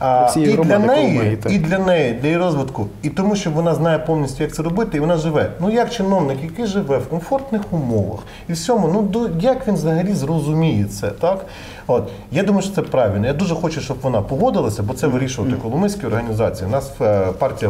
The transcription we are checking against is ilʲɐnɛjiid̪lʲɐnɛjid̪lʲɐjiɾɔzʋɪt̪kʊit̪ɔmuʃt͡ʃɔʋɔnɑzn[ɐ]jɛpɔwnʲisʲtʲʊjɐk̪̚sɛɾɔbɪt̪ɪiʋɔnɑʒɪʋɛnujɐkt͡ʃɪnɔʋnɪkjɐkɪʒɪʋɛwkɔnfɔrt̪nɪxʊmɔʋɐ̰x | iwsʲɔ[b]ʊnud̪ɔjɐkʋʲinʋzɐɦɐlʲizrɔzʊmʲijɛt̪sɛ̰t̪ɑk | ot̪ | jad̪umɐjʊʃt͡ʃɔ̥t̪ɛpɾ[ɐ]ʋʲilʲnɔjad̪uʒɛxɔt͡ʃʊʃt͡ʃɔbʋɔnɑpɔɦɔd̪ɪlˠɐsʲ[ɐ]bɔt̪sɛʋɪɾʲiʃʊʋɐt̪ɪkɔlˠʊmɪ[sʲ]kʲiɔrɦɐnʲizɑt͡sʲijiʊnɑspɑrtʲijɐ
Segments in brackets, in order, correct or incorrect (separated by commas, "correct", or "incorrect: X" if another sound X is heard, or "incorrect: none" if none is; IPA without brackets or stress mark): incorrect: ɑ, incorrect: m, incorrect: ɑ, correct, correct